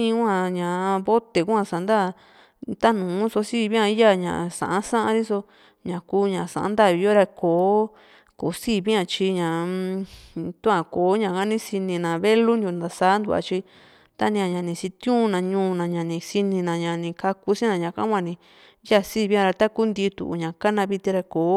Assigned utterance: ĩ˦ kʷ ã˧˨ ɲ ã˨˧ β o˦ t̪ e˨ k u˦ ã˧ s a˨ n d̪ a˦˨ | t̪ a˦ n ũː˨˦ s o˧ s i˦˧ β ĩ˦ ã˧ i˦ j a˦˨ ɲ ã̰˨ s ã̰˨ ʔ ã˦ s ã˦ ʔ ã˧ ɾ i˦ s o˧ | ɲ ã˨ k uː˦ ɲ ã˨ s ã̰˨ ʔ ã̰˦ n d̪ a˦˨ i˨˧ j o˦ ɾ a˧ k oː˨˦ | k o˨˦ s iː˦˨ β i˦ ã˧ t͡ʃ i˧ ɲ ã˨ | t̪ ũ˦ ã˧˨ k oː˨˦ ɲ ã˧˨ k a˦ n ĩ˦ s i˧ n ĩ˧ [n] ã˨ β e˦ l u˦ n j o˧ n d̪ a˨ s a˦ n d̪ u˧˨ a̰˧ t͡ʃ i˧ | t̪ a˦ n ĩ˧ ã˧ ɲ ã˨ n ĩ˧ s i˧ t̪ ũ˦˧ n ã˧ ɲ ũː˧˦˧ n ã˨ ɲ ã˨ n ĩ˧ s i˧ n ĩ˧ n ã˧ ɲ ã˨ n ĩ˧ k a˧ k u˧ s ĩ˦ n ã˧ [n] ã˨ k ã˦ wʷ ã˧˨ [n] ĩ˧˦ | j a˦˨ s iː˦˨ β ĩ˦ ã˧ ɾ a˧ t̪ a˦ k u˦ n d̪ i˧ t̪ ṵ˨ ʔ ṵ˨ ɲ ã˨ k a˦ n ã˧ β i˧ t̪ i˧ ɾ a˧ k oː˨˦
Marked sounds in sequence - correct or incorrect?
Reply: correct, incorrect: ɲ, correct

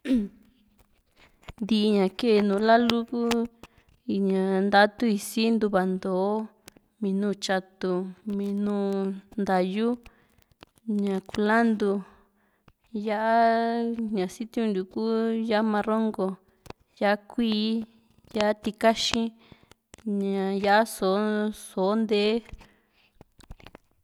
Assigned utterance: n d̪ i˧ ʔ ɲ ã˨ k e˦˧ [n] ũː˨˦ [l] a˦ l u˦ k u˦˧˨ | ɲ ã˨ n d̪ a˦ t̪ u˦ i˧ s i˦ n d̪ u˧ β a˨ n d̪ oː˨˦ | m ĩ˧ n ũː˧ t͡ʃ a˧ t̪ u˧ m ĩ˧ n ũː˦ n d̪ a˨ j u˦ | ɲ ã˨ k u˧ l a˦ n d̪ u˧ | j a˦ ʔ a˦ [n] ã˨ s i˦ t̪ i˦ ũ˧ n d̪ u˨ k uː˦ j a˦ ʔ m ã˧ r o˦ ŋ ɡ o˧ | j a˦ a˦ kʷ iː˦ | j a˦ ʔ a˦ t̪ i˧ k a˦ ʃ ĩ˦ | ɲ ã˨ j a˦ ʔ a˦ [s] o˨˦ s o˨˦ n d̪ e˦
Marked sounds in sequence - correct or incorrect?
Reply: correct, correct, incorrect: ɲ, correct

